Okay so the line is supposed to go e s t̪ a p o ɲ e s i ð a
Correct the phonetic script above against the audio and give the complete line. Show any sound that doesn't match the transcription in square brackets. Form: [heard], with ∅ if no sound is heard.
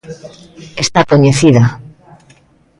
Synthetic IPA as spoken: e s t̪ a [k] o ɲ e [θ] i ð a

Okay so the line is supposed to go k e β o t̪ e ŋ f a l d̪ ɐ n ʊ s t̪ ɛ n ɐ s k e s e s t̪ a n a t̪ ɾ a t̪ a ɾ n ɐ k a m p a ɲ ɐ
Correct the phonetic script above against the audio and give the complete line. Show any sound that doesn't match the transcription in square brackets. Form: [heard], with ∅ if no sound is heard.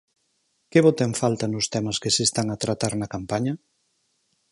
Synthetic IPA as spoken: k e β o t̪ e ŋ f a l [t̪] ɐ n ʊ s t̪ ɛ [m] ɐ s k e s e s t̪ a [ŋ] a t̪ ɾ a t̪ a ɾ n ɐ k a m p a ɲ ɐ

